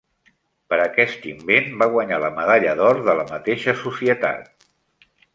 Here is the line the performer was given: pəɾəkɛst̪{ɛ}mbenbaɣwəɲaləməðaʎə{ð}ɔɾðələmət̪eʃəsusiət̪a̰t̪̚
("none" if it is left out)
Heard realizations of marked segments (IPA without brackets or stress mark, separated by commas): i, ð